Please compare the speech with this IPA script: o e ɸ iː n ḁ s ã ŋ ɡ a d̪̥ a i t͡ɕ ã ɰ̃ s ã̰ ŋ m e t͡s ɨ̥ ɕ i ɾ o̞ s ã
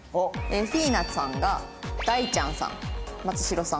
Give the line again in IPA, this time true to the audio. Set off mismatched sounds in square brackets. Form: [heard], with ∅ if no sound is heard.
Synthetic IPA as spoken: o e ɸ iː n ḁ s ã ŋ ɡ a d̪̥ a i t͡ɕ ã ɰ̃ s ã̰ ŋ m [a] t͡s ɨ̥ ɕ i ɾ o̞ s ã